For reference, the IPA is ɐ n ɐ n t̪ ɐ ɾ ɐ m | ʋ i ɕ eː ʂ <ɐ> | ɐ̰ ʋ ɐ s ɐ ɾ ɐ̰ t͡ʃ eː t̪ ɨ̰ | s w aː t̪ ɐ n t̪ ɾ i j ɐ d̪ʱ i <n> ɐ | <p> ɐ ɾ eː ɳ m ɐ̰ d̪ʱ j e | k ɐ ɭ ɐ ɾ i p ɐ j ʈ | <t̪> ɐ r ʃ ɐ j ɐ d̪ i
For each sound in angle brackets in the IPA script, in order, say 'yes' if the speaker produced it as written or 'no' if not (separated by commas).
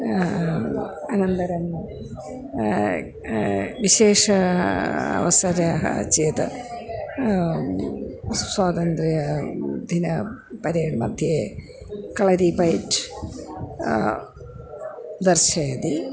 yes, yes, yes, no